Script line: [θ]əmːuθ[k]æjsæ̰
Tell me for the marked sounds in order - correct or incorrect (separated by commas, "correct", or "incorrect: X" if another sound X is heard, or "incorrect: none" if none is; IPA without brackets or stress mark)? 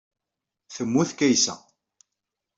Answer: correct, correct